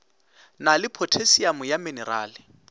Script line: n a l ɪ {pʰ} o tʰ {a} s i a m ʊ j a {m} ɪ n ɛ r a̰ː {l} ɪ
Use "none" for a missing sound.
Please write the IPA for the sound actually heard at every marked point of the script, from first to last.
pʰ, e, m, l

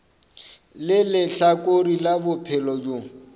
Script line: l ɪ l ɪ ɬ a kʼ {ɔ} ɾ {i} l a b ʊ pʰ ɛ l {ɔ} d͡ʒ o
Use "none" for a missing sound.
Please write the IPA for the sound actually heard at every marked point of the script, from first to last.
o, i, ɔ

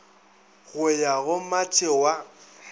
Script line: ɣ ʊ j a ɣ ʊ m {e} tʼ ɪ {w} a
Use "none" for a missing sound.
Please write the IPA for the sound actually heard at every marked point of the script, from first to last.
a, w

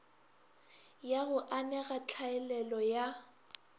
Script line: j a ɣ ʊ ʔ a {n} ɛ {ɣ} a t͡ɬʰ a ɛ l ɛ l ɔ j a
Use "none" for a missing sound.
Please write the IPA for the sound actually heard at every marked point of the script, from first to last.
n, ɣ

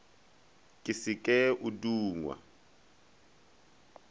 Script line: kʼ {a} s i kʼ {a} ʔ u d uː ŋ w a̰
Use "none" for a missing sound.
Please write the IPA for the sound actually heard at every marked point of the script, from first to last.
i, ɛ

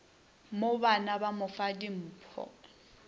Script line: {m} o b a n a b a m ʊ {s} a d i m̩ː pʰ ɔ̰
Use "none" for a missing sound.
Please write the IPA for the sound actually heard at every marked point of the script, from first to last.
m, f

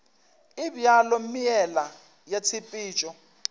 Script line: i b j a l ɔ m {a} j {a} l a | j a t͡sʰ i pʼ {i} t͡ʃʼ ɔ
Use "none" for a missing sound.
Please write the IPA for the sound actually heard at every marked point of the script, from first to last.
i, ɛ, iː

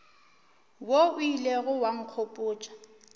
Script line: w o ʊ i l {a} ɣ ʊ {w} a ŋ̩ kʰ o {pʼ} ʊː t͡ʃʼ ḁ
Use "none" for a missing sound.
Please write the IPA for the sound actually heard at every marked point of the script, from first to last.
e, w, pʼ

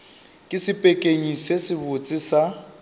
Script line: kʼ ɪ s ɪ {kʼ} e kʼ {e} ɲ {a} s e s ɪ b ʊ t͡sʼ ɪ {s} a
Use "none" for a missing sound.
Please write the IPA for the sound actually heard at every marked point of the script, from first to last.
pʼ, e, i, s

